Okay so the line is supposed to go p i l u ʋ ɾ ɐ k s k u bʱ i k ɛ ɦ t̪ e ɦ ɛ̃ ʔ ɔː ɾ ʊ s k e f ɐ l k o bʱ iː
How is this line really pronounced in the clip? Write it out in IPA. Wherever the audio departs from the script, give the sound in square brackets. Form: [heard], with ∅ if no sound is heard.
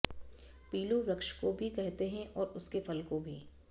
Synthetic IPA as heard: p [iː] l u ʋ ɾ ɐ k [ʃ] k [o] bʱ i k ɛ ɦ t̪ e ɦ ɛ̃ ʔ ɔː ɾ ʊ s k e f ɐ l k o bʱ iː